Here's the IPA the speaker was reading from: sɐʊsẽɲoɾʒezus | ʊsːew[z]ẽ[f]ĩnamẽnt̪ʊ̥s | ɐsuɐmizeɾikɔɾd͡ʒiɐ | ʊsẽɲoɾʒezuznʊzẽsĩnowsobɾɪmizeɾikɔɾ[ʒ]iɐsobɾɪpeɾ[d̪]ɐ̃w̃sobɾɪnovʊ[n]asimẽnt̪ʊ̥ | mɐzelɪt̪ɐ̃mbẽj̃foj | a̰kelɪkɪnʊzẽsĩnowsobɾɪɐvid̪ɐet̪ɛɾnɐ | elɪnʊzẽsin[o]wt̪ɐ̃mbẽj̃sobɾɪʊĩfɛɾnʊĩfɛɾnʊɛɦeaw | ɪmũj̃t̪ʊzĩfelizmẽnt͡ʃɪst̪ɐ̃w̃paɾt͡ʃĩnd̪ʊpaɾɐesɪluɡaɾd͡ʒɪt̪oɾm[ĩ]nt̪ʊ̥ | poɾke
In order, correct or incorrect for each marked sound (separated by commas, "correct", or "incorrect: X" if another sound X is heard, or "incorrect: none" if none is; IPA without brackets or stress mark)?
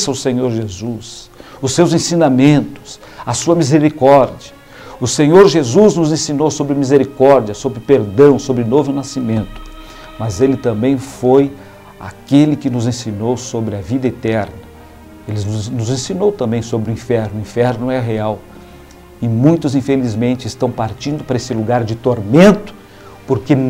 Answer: correct, incorrect: s, incorrect: d͡ʒ, correct, correct, correct, incorrect: ẽ